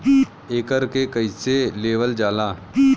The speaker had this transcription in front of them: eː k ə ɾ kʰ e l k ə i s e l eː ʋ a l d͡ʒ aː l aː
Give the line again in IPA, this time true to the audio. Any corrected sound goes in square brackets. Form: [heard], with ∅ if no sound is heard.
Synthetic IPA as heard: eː k ə ɾ [k] e [∅] k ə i s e l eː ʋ [ə] l d͡ʒ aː l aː